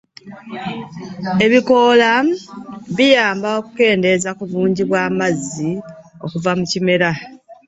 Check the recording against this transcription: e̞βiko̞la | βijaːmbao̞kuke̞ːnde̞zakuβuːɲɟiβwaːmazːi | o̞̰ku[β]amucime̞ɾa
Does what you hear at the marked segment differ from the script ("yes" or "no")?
yes